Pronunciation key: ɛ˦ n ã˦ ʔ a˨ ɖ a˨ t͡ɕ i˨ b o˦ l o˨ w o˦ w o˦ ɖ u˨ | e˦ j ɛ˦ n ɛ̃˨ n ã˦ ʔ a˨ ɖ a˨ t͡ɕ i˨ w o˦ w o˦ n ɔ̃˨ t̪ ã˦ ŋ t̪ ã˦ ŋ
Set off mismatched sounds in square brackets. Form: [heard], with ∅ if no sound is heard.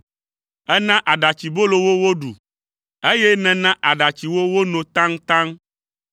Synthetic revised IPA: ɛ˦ n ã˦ ʔ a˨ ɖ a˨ t͡ɕ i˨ b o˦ l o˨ w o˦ w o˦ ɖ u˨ | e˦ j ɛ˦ n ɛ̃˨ n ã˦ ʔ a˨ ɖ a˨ t͡ɕ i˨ w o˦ w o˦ n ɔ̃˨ t̪ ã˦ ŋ t̪ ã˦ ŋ